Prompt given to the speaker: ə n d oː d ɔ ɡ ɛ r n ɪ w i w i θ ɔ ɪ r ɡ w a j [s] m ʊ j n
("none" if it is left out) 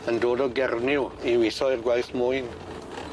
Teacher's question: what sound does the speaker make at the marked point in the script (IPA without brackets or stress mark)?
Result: θ